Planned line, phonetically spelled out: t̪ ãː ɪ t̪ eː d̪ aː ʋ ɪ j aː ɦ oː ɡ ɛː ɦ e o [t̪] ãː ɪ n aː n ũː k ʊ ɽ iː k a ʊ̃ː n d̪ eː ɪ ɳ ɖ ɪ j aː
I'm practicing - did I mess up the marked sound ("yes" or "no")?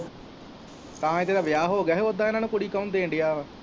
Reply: yes